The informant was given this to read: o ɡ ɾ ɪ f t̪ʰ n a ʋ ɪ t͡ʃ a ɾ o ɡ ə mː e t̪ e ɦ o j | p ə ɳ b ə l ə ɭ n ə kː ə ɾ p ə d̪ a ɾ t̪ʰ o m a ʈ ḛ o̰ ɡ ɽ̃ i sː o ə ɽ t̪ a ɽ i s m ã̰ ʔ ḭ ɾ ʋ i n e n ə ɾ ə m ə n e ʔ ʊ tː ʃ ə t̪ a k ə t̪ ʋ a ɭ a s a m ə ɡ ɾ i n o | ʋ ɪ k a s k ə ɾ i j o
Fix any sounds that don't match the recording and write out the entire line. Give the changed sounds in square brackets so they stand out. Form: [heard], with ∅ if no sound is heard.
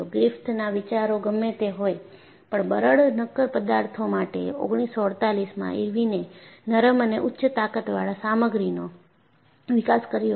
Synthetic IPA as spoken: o ɡ ɾ ɪ f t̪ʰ n a ʋ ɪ t͡ʃ a ɾ o ɡ ə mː e t̪ e ɦ o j | p ə ɳ b ə [ɾ] ə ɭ n ə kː ə ɾ p ə d̪ a ɾ t̪ʰ o m a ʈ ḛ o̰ ɡ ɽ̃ i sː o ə ɽ t̪ a [l] i s m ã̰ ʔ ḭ ɾ ʋ i n e n ə ɾ ə m ə n e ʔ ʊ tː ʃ ə t̪ a k ə t̪ ʋ a ɭ a s a m ə ɡ ɾ i n o | ʋ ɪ k a s k ə ɾ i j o